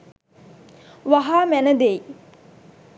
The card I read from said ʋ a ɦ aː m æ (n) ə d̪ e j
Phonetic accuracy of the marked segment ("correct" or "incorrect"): correct